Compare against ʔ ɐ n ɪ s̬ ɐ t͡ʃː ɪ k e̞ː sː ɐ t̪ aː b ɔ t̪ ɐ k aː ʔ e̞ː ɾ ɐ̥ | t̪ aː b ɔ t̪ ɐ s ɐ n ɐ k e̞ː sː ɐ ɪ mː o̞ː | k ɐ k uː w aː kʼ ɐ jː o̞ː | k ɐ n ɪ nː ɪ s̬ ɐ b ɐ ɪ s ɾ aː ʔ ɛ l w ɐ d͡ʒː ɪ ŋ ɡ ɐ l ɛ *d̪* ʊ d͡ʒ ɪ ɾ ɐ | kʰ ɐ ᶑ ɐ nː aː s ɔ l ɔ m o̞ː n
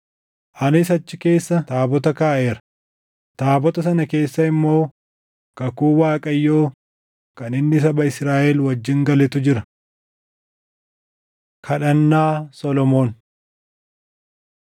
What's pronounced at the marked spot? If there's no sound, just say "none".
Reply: t̪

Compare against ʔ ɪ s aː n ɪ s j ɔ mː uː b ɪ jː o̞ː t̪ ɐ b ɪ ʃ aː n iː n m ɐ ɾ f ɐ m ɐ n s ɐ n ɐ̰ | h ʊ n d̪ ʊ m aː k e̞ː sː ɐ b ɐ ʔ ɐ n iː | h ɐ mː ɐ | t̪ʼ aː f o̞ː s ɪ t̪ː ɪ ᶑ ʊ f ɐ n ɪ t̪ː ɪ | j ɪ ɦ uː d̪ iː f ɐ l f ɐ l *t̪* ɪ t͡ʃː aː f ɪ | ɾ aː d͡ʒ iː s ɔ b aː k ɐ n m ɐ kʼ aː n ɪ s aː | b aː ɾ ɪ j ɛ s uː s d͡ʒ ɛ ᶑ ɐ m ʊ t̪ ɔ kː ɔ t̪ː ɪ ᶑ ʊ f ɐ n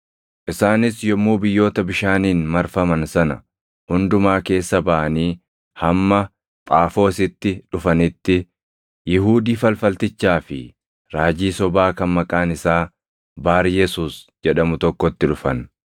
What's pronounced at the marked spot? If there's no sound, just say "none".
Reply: t̪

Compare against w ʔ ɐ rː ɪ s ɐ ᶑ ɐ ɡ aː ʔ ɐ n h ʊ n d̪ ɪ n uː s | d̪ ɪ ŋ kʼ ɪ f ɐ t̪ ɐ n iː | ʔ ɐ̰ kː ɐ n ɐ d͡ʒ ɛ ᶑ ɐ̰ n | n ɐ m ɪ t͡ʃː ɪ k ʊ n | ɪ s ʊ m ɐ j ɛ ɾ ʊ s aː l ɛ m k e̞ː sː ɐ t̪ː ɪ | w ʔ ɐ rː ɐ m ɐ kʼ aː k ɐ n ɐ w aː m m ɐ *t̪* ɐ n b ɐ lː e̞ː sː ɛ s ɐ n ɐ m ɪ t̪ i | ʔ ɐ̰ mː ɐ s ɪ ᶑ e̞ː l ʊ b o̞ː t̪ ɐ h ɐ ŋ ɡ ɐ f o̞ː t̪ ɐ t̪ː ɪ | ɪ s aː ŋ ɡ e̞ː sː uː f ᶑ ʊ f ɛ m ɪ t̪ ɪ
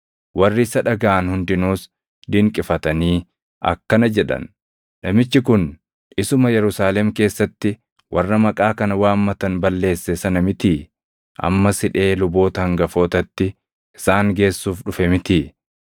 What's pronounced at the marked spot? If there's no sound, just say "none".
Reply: t̪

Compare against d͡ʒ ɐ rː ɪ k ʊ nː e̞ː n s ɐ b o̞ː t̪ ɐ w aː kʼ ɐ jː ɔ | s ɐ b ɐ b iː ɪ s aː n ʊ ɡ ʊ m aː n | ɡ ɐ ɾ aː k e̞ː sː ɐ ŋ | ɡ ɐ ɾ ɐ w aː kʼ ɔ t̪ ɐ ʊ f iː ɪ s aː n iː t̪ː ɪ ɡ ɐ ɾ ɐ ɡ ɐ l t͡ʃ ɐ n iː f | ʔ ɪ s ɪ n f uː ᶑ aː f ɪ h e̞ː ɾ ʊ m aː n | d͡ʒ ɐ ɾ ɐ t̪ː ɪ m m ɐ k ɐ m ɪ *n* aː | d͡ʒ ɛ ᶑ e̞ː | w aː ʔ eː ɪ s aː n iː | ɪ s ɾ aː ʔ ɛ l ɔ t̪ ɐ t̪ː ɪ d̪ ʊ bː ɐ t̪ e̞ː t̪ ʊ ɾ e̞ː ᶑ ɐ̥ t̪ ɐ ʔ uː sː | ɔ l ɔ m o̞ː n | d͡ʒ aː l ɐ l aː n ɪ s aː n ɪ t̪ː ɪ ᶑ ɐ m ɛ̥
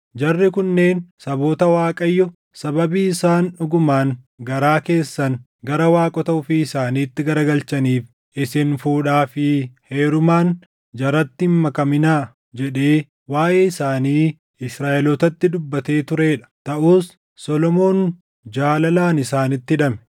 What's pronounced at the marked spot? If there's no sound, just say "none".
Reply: n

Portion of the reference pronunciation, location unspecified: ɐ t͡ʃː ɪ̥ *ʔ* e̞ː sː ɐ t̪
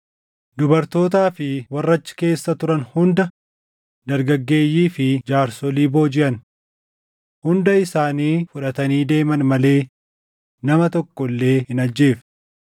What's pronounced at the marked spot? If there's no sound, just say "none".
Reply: k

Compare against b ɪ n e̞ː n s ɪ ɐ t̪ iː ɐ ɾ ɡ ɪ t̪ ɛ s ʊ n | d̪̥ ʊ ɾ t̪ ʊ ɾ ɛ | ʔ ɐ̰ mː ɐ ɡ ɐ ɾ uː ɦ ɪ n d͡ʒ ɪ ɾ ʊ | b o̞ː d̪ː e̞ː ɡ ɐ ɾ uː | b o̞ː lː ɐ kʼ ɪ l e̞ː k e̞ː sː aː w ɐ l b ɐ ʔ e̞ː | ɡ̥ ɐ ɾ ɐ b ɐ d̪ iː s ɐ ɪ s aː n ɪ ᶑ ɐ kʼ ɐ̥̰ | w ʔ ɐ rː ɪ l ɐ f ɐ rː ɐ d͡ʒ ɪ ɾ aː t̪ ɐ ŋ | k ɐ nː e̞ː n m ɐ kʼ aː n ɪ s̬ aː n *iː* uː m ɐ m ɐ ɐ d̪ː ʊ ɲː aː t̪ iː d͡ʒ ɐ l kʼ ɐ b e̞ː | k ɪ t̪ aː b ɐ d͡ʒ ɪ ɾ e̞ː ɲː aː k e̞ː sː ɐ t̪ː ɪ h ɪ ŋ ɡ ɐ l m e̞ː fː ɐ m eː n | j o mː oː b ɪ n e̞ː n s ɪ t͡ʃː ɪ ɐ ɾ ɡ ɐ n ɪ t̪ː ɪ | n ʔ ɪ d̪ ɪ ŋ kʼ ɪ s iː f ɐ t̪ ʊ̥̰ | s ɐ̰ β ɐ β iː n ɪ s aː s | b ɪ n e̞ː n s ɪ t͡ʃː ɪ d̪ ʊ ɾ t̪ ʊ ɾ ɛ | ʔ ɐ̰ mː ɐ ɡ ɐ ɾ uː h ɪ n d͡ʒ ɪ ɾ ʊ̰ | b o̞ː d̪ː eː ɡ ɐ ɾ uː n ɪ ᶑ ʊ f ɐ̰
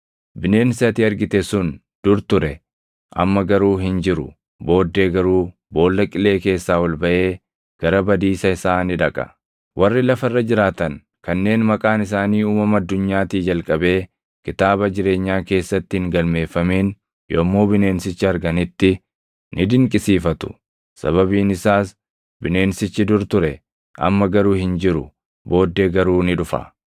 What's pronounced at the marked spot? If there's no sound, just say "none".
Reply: iː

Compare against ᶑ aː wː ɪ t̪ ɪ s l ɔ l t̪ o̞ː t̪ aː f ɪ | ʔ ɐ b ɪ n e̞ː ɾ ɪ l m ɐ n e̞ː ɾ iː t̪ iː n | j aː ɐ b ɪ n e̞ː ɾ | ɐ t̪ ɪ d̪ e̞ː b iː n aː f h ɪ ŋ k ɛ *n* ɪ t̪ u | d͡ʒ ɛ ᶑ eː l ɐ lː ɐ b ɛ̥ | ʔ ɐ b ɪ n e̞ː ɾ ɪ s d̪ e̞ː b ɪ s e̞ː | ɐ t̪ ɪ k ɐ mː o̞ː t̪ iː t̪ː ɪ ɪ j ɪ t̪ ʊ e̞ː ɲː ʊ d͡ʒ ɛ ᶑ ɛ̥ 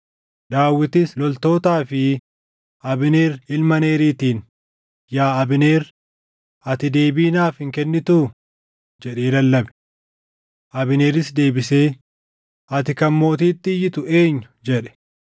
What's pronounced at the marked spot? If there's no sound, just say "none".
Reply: nː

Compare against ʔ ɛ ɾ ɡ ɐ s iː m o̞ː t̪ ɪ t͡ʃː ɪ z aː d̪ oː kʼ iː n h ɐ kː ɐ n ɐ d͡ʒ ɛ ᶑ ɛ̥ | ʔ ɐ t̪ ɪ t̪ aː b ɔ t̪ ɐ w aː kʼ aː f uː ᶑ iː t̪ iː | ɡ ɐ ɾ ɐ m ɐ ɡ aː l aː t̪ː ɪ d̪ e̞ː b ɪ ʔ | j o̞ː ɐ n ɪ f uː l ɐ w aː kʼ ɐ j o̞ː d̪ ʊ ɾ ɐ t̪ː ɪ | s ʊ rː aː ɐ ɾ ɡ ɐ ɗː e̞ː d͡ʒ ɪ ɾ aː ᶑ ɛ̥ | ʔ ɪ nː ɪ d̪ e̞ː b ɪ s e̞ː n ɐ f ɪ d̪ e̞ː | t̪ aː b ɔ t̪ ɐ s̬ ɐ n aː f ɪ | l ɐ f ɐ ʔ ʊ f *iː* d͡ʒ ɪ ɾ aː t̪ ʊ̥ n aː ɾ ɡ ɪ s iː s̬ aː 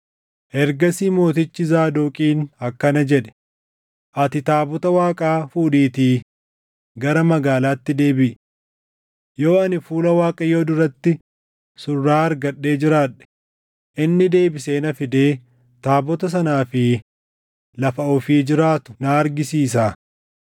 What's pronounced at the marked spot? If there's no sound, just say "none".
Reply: iː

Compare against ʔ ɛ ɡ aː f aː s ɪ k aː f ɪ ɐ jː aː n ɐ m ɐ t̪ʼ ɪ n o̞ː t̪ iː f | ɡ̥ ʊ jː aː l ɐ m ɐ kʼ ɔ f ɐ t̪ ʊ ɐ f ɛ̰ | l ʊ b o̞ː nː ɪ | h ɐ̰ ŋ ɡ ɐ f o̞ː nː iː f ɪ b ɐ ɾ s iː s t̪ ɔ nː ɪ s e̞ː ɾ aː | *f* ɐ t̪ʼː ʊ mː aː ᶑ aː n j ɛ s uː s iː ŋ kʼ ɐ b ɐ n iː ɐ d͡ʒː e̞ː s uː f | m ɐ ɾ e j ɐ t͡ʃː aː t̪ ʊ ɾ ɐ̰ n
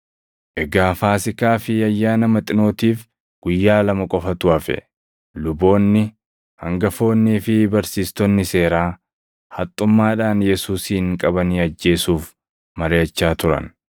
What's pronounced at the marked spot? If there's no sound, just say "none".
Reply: h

